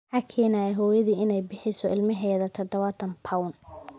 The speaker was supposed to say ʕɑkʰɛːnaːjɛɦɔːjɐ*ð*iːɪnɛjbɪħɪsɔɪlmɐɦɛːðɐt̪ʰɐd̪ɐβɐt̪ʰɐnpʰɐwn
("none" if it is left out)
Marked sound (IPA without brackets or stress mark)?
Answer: ð